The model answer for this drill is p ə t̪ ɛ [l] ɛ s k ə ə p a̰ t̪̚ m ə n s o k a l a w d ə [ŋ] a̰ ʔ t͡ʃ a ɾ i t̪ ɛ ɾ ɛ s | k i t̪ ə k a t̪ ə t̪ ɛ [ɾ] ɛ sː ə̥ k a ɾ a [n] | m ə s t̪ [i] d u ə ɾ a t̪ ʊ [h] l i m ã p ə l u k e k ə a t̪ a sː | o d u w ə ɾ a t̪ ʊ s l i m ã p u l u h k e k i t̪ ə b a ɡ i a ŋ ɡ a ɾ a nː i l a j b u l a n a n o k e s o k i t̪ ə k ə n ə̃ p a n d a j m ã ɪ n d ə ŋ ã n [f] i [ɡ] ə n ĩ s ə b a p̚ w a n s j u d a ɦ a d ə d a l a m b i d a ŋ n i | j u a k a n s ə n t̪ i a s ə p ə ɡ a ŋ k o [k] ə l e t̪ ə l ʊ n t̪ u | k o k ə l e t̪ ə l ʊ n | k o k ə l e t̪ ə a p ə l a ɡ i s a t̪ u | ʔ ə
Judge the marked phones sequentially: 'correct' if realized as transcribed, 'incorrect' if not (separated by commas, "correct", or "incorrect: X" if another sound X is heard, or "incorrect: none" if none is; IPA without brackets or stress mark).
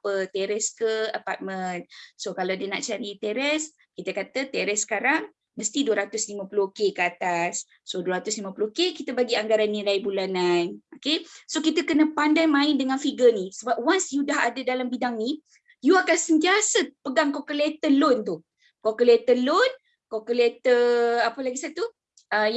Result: incorrect: ɾ, incorrect: n, correct, incorrect: ŋ, correct, incorrect: s, correct, correct, correct